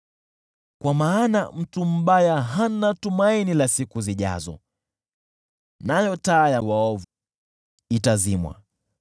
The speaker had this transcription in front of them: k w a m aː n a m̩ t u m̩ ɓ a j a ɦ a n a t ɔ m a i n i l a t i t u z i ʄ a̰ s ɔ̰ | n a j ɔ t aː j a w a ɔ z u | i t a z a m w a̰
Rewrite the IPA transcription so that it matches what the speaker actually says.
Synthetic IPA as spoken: k w a m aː n a m̩ t u m̩ ɓ a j a ɦ a n a t u m a i n i l a s i k u z i ʄ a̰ z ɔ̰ | n a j ɔ t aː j a w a ɔ v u | i t a z i m w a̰